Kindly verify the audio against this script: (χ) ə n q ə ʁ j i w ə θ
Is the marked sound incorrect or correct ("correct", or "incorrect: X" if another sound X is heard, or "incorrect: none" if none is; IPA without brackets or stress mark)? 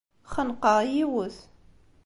correct